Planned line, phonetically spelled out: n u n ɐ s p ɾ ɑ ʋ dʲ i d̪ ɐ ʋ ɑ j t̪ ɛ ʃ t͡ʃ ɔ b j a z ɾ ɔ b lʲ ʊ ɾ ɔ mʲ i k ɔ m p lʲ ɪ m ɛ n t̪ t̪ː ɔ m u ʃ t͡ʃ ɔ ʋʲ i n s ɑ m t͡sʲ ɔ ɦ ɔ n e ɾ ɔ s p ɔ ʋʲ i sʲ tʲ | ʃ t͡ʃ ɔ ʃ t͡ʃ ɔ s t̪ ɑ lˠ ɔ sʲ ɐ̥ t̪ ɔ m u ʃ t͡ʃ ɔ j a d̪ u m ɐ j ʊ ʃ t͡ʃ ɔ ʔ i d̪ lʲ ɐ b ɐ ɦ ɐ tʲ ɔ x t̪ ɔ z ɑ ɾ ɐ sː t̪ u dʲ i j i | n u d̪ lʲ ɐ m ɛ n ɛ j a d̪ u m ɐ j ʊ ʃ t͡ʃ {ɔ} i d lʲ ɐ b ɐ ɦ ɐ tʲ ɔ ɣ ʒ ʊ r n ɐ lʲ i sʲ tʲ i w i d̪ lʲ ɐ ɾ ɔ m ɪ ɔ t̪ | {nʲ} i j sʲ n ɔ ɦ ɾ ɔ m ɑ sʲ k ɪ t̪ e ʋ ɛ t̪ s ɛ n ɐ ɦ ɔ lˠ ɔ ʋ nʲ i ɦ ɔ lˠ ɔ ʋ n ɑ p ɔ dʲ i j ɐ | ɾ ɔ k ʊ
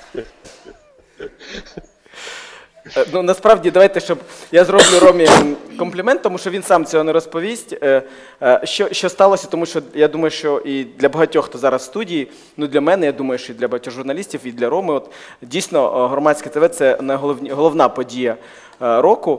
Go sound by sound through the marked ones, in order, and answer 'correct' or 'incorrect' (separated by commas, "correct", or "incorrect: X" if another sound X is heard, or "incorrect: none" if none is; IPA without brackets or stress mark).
correct, incorrect: dʲ